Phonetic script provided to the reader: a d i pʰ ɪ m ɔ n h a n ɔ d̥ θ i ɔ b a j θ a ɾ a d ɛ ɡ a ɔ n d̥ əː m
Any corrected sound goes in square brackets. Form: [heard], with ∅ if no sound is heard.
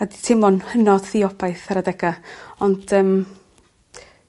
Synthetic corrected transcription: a d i [tʰ] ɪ m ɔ n h [ə] n ɔ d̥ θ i ɔ b a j θ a ɾ a d ɛ ɡ a ɔ n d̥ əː m

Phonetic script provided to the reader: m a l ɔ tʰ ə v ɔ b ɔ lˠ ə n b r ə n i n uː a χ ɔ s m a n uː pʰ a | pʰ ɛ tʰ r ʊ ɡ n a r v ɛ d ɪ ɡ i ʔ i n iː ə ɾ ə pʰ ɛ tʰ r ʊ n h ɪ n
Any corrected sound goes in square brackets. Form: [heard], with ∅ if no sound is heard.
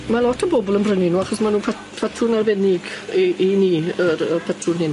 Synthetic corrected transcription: m a l ɔ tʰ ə [b] ɔ b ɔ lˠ ə n b r ə n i n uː a χ ɔ s m a n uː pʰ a | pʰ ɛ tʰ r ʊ [∅] n a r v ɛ [n] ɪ ɡ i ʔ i n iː ə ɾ ə pʰ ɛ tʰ r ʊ n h ɪ n

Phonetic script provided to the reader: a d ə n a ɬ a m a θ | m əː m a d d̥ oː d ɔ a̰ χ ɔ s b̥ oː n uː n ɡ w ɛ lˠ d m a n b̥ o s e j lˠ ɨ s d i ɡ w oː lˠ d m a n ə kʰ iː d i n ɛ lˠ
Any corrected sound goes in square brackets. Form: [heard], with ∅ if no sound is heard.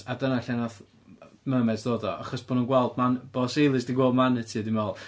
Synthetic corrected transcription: a d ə n a ɬ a [n] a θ | m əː m [ɛ] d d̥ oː d ɔ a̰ χ ɔ s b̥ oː n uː n ɡ w ɛ lˠ d m a n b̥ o s e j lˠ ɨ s d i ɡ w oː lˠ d m a n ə [tʰ] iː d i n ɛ lˠ

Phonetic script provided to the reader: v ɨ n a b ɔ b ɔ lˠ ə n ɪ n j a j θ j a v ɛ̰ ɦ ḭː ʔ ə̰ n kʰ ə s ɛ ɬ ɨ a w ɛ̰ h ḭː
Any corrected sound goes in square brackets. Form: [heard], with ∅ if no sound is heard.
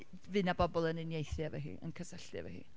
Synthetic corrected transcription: v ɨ n a b ɔ b ɔ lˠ ə n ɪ n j [e] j θ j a v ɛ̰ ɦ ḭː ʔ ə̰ n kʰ ə s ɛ ɬ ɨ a [v] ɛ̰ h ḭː

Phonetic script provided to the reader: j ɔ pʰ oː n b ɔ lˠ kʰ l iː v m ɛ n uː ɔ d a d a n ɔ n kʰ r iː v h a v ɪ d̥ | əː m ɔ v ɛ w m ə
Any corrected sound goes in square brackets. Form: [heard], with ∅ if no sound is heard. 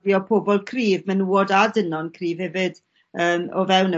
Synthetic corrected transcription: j ɔ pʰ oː [∅] b ɔ lˠ kʰ [r] iː v m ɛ n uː ɔ d a d [ə] n ɔ n kʰ r iː v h [ɛ] v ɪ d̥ | əː m ɔ v ɛ w [n] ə

